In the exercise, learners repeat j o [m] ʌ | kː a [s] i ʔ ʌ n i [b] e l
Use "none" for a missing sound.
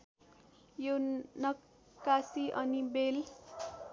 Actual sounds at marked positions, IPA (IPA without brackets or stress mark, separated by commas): n, s, b